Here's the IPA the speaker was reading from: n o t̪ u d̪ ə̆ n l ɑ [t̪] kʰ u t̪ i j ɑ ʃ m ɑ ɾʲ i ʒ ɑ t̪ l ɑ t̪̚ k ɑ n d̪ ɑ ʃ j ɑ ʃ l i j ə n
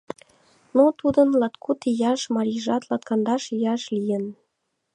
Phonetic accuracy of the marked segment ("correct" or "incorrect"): correct